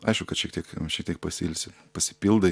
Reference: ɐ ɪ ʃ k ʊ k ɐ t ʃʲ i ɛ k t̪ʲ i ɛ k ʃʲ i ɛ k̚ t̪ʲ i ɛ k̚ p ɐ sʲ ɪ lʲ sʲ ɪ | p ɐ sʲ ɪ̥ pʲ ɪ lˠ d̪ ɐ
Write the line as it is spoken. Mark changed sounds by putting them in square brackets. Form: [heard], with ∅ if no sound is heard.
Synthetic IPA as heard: ɐ ɪ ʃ k ʊ k ɐ t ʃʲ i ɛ k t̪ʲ i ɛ k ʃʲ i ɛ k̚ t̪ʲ i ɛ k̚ p ɐ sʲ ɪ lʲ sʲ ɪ | p ɐ sʲ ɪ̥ pʲ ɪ lˠ d̪ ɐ